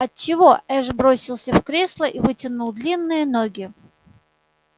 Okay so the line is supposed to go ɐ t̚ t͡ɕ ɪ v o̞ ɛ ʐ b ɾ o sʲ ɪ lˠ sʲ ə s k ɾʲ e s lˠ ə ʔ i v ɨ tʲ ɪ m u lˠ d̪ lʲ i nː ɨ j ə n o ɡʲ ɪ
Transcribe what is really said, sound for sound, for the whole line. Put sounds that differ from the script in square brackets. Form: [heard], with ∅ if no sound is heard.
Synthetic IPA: ɐ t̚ t͡ɕ ɪ v o̞ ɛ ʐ b ɾ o sʲ ɪ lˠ sʲ ə [f] k ɾʲ e s lˠ ə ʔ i v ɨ tʲ ɪ [n] u lˠ d̪ lʲ i nː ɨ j ə n o ɡʲ ɪ

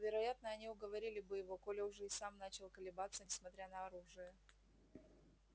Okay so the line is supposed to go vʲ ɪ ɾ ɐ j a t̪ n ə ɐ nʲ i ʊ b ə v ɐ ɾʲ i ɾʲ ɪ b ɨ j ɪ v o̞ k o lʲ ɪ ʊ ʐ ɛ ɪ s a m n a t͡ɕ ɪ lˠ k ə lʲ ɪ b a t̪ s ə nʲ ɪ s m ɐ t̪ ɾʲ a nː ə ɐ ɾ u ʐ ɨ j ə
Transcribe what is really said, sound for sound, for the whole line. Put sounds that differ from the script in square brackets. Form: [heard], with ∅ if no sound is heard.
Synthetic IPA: vʲ ɪ ɾ ɐ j a t̪ n ə ɐ nʲ i ʊ [ɡ] ə v ɐ ɾʲ i [lʲ] ɪ b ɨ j ɪ v o̞ k o lʲ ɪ ʊ ʐ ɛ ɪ s a m n a t͡ɕ ɪ lˠ k ə lʲ ɪ b a t̪ s ə nʲ ɪ s m ɐ t̪ ɾʲ a [n] ə ɐ ɾ u ʐ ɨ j ə

